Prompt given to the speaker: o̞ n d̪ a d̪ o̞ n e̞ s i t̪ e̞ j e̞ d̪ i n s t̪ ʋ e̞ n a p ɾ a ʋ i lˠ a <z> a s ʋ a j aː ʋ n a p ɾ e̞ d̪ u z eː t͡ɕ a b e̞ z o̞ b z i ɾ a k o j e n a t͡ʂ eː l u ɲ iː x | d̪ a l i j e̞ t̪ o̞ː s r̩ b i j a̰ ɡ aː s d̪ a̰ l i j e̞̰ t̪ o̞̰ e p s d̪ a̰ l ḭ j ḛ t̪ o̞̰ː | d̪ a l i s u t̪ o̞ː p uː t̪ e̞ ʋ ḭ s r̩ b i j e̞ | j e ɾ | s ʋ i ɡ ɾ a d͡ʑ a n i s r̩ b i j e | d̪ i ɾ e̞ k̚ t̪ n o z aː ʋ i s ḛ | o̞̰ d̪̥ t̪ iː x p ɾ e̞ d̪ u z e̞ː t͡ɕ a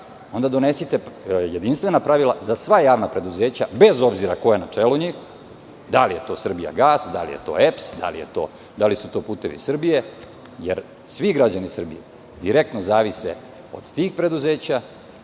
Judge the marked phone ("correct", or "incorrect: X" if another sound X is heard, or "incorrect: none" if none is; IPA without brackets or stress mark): correct